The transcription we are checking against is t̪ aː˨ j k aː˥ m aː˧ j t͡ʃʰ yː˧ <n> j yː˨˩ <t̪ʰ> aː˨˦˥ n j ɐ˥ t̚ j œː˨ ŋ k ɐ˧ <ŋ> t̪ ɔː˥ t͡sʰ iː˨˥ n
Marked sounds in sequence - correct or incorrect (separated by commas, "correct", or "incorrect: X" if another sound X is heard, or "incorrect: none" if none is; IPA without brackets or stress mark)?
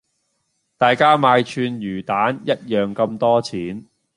correct, incorrect: t̪, incorrect: m